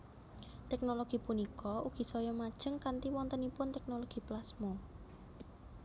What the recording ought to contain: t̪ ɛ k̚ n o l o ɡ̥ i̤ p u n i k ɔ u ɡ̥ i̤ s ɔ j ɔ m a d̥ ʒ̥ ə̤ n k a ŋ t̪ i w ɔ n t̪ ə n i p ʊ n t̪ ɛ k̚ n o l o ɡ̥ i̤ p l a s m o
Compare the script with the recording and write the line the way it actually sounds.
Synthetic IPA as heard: t̪ ɛ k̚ n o l o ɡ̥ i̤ p u n i k ɔ u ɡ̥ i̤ s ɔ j ɔ m a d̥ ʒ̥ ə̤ ŋ k a n t̪ i w ɔ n t̪ ə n i p ʊ n t̪ ɛ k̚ n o l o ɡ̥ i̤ p l a s m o